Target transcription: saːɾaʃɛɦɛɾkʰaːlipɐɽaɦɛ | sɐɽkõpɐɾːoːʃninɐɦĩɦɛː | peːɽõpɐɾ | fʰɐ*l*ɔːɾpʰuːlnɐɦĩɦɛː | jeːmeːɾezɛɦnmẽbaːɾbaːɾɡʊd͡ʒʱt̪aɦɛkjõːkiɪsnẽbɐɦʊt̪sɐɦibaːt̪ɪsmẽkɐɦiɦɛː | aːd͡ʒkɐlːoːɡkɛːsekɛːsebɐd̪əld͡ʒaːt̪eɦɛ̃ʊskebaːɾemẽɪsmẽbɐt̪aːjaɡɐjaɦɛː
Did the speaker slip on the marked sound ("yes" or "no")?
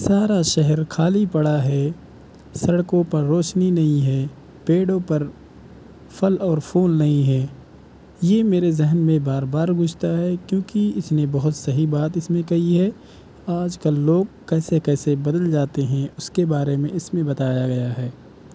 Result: no